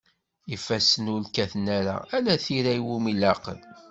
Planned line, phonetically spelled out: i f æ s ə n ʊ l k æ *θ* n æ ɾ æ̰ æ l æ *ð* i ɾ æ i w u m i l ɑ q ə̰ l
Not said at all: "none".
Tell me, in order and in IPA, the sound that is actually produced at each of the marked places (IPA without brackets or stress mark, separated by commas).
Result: θ, θ